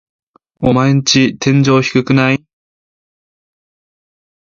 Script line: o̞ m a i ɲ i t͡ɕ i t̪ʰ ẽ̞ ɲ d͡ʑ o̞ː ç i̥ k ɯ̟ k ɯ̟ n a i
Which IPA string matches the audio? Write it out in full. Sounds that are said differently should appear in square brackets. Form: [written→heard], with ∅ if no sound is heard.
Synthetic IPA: o̞ m a [i→e] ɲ i t͡ɕ i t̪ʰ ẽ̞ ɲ d͡ʑ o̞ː ç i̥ k ɯ̟ k ɯ̟ n a i